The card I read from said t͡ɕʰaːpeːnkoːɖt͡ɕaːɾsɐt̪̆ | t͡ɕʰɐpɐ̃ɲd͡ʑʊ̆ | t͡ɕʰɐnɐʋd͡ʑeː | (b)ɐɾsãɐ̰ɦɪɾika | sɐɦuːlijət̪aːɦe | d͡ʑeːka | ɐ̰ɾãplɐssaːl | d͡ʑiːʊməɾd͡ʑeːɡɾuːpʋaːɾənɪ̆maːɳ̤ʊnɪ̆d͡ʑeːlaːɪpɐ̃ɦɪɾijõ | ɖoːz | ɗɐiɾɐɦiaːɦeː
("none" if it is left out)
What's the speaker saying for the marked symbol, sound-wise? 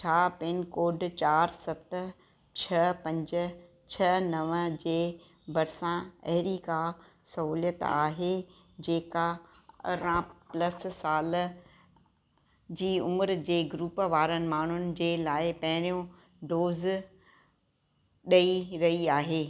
b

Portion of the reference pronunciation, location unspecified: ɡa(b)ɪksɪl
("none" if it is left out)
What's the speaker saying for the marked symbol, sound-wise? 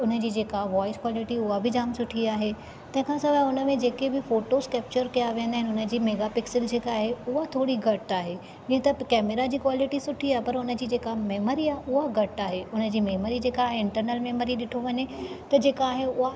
p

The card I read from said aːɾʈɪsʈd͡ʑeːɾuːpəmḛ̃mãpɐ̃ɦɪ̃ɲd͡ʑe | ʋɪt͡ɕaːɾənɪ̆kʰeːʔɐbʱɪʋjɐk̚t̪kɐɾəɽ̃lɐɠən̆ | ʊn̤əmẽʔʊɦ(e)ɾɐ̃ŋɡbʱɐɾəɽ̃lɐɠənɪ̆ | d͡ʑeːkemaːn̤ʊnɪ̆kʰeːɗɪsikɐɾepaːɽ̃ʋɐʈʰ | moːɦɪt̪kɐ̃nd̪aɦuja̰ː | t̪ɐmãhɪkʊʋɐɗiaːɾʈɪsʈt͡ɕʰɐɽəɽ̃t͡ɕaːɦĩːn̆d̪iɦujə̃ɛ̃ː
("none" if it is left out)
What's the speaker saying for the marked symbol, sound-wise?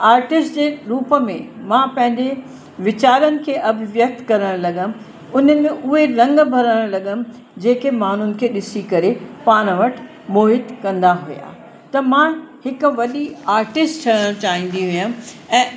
e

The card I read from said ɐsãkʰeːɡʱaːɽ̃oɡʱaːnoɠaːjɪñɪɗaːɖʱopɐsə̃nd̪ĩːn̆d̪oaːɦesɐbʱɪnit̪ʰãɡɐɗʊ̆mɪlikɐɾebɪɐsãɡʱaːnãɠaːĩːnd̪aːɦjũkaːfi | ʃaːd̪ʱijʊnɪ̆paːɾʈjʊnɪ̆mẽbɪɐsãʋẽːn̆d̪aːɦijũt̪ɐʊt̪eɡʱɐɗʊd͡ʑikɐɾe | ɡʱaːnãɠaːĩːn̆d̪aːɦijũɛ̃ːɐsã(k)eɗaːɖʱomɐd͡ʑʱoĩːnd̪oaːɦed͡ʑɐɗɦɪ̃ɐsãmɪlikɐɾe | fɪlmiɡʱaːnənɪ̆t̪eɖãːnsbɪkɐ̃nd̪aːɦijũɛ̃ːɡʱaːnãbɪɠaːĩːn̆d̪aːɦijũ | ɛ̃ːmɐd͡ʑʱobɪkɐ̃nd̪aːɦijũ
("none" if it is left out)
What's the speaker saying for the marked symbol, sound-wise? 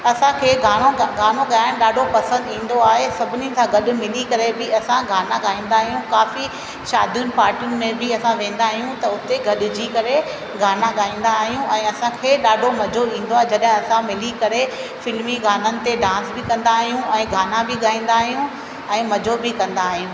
kʰ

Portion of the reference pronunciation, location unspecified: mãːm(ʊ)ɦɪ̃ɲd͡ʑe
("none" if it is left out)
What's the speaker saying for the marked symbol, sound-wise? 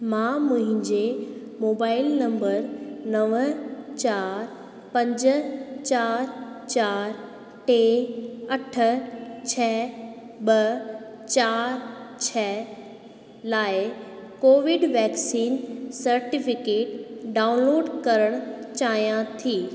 ʊ̃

